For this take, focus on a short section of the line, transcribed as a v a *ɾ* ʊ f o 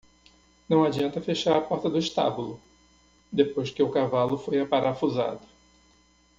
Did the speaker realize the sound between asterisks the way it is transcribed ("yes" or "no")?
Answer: no